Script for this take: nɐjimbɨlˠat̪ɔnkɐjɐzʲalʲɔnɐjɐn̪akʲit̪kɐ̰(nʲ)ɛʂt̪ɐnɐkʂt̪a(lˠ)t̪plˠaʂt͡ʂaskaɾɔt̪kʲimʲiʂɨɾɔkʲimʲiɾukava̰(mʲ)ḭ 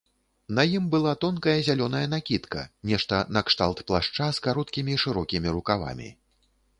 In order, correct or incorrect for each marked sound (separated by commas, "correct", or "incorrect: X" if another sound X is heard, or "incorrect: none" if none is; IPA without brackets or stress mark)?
correct, correct, correct